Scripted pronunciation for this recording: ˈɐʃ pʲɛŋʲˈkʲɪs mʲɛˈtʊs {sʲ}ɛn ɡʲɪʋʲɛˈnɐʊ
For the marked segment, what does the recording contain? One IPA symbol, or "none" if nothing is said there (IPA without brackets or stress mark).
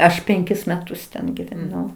tʲ